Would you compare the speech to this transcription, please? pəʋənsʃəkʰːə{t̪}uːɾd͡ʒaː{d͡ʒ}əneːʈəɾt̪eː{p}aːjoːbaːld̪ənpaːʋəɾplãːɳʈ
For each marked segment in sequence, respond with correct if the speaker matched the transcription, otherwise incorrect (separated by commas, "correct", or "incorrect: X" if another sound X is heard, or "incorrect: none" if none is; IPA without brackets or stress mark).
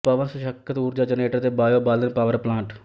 correct, correct, incorrect: b